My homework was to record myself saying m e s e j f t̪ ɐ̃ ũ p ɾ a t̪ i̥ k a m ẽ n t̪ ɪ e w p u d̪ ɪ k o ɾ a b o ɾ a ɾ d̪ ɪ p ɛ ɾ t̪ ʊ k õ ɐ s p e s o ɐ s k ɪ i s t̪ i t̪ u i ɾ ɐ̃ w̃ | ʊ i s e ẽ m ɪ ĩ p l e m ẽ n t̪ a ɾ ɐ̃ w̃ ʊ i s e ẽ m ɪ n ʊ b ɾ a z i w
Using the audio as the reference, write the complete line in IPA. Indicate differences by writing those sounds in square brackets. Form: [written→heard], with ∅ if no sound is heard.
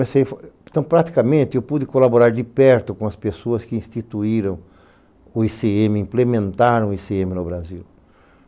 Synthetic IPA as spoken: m e s e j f t̪ ɐ̃ [ũ→w̃] p ɾ a t̪ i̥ k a m ẽ n t̪ ɪ e w p u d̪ ɪ k o [ɾ→l] a b o ɾ a ɾ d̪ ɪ p ɛ ɾ t̪ ʊ k õ ɐ s p e s o ɐ s k ɪ [i→ĩ] s t̪ i t̪ u i ɾ ɐ̃ w̃ | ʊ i s e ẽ m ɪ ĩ p l e m ẽ n t̪ a ɾ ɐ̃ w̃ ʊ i s e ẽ m ɪ n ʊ b ɾ a z i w